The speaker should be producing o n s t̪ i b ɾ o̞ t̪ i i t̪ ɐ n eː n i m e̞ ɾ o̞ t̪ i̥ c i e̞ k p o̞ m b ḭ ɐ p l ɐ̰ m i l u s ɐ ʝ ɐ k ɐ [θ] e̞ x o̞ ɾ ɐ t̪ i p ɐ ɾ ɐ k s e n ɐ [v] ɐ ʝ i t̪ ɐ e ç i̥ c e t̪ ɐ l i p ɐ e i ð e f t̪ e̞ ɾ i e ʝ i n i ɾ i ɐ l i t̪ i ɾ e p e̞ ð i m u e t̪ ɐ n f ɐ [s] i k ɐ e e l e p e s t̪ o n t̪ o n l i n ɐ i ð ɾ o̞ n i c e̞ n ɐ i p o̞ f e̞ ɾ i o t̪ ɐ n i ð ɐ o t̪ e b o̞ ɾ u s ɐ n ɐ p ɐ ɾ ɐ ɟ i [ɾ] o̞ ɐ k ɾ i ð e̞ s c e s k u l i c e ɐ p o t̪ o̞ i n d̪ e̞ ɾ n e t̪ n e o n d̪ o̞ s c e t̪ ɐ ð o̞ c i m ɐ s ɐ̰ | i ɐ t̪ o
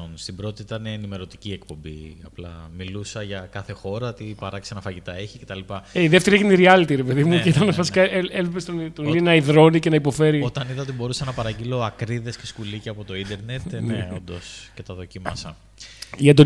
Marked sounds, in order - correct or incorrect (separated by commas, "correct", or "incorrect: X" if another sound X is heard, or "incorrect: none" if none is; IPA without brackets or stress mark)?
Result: correct, incorrect: f, correct, incorrect: l